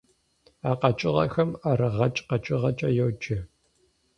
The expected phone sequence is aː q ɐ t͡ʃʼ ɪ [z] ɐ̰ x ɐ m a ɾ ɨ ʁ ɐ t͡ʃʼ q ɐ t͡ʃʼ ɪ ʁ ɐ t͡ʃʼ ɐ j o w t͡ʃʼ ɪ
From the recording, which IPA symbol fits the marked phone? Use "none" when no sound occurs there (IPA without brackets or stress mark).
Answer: ʁ